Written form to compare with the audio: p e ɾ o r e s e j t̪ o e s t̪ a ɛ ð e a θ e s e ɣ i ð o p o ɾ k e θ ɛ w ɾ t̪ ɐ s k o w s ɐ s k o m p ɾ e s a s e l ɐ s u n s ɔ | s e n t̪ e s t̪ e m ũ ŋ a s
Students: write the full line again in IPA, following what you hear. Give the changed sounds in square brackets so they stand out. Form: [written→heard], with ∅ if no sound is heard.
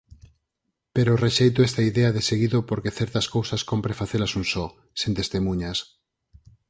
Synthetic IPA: p e ɾ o r e [s→ʃ] e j t̪ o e s t̪ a [ɛ→i] ð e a [θ→ð] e s e ɣ i ð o p o ɾ k e θ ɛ [w→∅] ɾ t̪ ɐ s k o w s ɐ s k o m p ɾ e [s→f] a [s→θ] e l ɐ s u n s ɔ | s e n t̪ e s t̪ e m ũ [ŋ→ɲ] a s